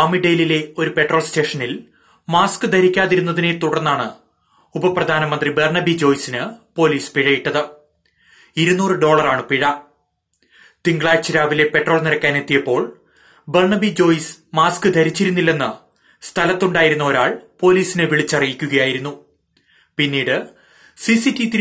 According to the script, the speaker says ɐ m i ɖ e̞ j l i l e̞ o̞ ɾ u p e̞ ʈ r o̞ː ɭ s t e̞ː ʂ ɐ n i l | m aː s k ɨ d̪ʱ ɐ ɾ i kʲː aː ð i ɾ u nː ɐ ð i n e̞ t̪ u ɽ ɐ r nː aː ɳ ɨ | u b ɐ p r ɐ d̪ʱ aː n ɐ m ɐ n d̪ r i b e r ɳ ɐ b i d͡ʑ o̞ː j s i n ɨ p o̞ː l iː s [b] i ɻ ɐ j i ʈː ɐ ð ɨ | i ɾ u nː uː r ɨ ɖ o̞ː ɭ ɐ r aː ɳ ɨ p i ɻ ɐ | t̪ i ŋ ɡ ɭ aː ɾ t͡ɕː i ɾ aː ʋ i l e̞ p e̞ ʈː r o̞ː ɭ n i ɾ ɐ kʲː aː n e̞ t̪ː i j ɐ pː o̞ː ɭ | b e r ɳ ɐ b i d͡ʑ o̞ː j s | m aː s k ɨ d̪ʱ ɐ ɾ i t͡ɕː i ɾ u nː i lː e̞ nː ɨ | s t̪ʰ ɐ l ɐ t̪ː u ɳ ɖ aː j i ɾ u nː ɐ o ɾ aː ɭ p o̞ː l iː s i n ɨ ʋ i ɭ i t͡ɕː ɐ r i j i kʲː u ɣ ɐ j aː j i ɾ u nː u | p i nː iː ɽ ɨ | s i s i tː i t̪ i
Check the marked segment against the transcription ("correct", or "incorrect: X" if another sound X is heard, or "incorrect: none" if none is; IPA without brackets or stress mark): incorrect: p